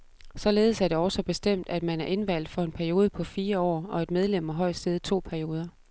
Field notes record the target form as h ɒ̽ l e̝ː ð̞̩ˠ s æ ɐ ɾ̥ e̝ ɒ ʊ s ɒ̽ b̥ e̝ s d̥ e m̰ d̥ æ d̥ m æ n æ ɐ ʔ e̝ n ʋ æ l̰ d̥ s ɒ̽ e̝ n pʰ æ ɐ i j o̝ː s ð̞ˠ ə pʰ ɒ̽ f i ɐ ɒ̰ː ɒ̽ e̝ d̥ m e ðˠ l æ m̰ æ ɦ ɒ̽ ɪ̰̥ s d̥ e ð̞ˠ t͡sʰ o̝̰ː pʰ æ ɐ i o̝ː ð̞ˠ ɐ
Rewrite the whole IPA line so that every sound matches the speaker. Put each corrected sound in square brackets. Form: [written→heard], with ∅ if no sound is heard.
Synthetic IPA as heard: [h→s] ɒ̽ l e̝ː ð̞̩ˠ s æ ɐ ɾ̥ e̝ ɒ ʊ s ɒ̽ b̥ e̝ s d̥ e m̰ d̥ æ d̥ m æ n æ ɐ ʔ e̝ n ʋ æ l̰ d̥ [s→f] ɒ̽ e̝ n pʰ æ ɐ i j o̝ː [s→∅] ð̞ˠ ə pʰ ɒ̽ f [i→iː] ɐ ɒ̰ː ɒ̽ e̝ d̥ m e ðˠ l [æ→e] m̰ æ ɦ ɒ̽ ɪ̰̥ s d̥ e ð̞ˠ t͡sʰ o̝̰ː pʰ æ ɐ i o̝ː ð̞ˠ ɐ